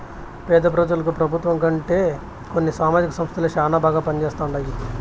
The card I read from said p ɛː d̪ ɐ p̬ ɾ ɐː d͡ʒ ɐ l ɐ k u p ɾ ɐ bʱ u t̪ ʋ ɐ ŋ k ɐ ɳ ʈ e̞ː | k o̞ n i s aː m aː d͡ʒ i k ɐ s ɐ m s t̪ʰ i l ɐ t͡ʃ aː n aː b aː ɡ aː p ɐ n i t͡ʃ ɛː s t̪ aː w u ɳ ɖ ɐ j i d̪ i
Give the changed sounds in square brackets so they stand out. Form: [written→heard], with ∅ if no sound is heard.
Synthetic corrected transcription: p ɛː d̪ ɐ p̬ ɾ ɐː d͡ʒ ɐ l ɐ k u p ɾ ɐ bʱ u t̪ ʋ ɐ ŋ k ɐ ɳ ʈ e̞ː | k o̞ [n→nː] i s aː m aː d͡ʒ i k ɐ s ɐ m s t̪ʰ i l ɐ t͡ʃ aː n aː b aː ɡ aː p ɐ n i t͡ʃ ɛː s t̪ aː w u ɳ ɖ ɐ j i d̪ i

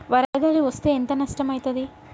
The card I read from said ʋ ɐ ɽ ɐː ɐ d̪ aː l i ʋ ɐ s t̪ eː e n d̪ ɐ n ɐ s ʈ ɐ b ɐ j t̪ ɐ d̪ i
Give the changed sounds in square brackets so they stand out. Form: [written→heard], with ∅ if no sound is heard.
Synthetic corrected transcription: ʋ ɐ [ɽ→ɾ] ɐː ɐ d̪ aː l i ʋ ɐ s t̪ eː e n [d̪→t̪] ɐ n ɐ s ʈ ɐ [b→m] ɐ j t̪ ɐ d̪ i

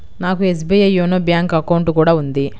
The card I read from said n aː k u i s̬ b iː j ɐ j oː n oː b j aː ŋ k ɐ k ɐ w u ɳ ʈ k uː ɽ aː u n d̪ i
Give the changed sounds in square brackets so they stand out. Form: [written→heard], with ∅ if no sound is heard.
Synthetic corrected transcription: n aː k u [i→e] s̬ b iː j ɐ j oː n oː b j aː ŋ k ɐ k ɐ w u ɳ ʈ k uː ɽ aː u n d̪ i

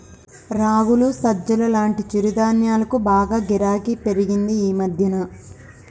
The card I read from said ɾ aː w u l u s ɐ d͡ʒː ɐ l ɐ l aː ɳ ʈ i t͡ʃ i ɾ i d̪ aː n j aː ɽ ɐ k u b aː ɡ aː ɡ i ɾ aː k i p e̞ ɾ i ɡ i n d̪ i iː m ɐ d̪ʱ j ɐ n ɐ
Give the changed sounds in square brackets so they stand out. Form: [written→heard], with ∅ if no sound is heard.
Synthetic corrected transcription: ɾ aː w u l u s ɐ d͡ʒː ɐ l ɐ l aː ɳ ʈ i t͡ʃ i ɾ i d̪ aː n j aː [ɽ→l] ɐ k u b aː ɡ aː ɡ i ɾ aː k i p e̞ ɾ i ɡ i n d̪ i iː m ɐ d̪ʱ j ɐ n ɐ

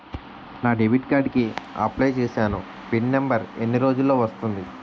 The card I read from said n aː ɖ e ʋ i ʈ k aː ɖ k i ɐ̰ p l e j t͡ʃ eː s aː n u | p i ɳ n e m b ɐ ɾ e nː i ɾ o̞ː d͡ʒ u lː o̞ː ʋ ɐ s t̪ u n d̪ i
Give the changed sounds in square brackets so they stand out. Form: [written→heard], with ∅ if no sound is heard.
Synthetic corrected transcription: n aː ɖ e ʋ i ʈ k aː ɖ k i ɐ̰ p l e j t͡ʃ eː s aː n u | p i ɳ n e m b ɐ ɾ e nː i ɾ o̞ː d͡ʒ u lː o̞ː ʋ ɐ s t̪ u n d̪ i

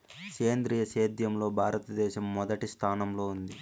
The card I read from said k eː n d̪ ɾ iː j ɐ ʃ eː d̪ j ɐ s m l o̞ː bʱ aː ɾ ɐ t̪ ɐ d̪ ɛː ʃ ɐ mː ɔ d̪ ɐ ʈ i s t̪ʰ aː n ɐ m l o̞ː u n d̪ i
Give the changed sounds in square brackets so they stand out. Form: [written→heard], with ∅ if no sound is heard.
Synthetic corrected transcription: k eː n d̪ ɾ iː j ɐ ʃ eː d̪ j ɐ [s→∅] m l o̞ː bʱ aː ɾ ɐ t̪ ɐ d̪ ɛː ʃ ɐ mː ɔ d̪ ɐ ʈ i s t̪ʰ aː n ɐ m l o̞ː u n d̪ i

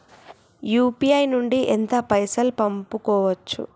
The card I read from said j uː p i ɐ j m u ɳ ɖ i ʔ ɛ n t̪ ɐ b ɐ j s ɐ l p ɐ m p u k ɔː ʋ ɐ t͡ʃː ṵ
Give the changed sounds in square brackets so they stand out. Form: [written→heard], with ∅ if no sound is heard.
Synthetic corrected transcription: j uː p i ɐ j [m→n] u ɳ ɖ i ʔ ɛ n t̪ ɐ [b→p] ɐ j s ɐ l p ɐ m p u k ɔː ʋ ɐ t͡ʃː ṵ

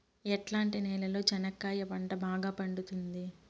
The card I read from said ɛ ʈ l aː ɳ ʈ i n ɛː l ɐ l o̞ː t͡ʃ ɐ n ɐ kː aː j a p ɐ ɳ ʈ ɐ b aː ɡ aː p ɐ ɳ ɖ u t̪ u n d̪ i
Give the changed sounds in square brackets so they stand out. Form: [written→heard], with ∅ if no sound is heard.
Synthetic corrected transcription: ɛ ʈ l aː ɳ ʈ i n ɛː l ɐ l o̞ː t͡ʃ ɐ n ɐ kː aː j [a→ɐ] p ɐ ɳ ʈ ɐ b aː ɡ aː p ɐ ɳ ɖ u t̪ u n d̪ i

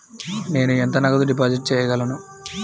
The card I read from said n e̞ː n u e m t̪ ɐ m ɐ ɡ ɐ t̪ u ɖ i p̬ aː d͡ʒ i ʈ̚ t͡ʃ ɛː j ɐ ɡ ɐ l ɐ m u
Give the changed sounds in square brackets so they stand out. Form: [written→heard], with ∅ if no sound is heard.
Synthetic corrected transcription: n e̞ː n u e [m→n] t̪ ɐ [m→n] ɐ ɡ ɐ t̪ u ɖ i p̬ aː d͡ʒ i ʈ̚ t͡ʃ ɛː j ɐ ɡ ɐ l ɐ [m→n] u

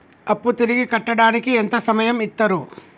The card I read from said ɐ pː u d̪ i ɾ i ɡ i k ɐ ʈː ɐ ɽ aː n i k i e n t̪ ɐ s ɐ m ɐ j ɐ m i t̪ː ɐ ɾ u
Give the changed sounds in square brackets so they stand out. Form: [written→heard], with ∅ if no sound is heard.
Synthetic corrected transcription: ɐ pː u [d̪→t̪] i ɾ i ɡ i k ɐ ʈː ɐ ɽ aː n i k i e n t̪ ɐ s ɐ m ɐ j ɐ m i t̪ː ɐ ɾ u

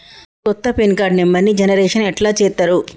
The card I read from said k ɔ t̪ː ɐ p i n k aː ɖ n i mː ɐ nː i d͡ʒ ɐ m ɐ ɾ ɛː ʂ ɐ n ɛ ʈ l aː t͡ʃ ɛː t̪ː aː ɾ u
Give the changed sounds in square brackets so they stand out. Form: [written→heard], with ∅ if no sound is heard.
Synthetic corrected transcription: k ɔ t̪ː ɐ p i n k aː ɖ n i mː ɐ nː i d͡ʒ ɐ [m→n] ɐ ɾ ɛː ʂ ɐ n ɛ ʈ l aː t͡ʃ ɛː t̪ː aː ɾ u

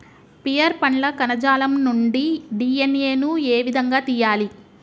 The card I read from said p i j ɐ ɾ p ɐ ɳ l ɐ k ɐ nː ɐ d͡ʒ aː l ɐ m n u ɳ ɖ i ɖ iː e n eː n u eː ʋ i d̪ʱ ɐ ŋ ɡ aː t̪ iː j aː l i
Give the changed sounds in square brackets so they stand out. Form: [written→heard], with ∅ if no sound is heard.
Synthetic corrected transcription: p i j ɐ ɾ p ɐ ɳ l ɐ k ɐ [nː→n] ɐ d͡ʒ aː l ɐ m n u ɳ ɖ i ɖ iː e n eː n u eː ʋ i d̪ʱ ɐ ŋ ɡ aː t̪ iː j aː l i

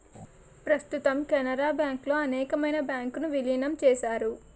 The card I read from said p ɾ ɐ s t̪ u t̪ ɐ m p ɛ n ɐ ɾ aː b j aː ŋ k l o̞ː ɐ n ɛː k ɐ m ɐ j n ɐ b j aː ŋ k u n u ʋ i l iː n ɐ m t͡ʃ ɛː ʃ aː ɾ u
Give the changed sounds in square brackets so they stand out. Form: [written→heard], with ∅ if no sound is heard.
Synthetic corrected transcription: p ɾ ɐ s t̪ u t̪ ɐ m [p→k] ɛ n ɐ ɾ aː b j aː ŋ k l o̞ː ɐ n ɛː k ɐ m ɐ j n ɐ b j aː ŋ k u n u ʋ i l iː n ɐ m t͡ʃ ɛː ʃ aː ɾ u

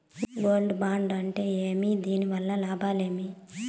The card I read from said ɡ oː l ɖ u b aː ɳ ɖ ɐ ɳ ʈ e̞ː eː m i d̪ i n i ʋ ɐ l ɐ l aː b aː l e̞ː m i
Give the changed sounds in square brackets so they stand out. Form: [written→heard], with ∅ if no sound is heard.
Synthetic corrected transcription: ɡ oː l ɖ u b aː ɳ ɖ ɐ ɳ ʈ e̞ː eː m i d̪ [i→iː] n i ʋ ɐ [l→lː] ɐ l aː b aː l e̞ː m i

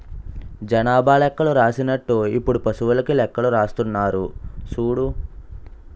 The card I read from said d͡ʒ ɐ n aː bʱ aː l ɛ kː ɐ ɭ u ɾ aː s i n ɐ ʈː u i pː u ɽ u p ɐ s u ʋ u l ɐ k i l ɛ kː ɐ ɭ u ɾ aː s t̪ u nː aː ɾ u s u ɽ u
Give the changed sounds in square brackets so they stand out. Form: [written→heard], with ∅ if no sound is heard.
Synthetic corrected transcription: d͡ʒ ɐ n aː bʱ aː l ɛ kː ɐ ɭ u ɾ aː s i n ɐ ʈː u i pː u ɽ u p ɐ s u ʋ u l ɐ k i l ɛ kː ɐ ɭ u ɾ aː s t̪ u nː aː ɾ u s [u→uː] ɽ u

